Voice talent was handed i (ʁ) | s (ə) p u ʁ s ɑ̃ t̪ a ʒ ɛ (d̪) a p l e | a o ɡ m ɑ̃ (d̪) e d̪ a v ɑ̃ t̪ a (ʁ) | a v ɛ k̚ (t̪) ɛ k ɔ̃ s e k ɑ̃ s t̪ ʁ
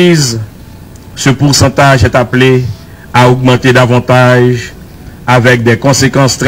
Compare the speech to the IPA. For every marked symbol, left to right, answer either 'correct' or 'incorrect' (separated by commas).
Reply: incorrect, correct, incorrect, incorrect, incorrect, incorrect